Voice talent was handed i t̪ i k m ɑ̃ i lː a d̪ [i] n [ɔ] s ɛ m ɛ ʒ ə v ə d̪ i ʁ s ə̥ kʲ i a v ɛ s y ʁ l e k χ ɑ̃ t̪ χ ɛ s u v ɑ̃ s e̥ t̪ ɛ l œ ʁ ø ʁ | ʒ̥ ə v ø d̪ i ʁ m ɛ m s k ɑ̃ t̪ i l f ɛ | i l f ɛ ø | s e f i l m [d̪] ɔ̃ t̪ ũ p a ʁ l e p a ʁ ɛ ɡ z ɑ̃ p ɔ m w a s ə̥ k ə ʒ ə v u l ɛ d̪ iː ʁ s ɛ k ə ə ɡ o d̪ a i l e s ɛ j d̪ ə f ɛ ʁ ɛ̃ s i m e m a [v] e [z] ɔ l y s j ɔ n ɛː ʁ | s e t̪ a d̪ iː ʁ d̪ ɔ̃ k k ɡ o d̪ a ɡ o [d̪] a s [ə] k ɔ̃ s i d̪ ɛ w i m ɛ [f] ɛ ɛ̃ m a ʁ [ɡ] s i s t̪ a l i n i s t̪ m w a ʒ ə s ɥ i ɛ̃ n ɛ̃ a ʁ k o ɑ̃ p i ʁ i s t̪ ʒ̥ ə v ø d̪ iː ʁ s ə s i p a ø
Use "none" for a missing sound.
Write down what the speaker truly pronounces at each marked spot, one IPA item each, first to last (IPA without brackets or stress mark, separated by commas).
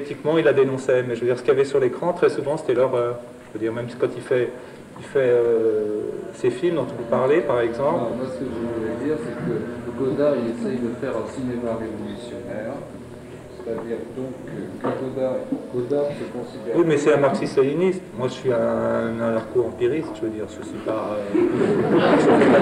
e, ɔ̃, d̪, ʁ, v, d̪, ə, s, k